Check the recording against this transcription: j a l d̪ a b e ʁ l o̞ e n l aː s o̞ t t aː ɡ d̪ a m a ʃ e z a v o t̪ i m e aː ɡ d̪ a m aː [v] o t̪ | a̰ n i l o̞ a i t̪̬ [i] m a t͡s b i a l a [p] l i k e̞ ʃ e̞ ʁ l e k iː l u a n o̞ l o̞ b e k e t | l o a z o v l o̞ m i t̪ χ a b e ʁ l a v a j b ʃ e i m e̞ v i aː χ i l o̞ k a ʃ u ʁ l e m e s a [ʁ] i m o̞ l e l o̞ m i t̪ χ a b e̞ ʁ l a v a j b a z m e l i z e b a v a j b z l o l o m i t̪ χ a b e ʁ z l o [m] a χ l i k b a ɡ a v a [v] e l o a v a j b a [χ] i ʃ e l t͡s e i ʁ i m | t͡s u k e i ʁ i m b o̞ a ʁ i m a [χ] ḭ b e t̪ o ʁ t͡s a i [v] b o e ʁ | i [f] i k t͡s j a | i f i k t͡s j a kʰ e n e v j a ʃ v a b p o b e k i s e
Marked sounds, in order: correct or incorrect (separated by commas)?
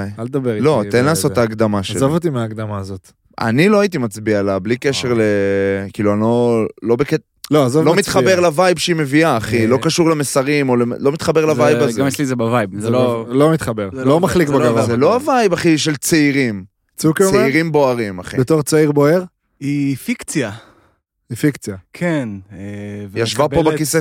incorrect, correct, incorrect, correct, correct, incorrect, correct, correct, incorrect, correct